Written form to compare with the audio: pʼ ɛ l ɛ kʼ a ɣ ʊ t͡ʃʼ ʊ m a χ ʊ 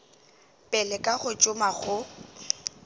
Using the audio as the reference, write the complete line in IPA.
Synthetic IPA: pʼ ɛ l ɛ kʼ a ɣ ʊ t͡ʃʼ ʊ m a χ ʊ